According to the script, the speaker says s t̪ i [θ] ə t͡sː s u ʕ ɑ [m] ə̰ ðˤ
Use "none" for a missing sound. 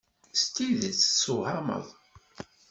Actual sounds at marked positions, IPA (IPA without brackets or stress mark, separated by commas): ð, m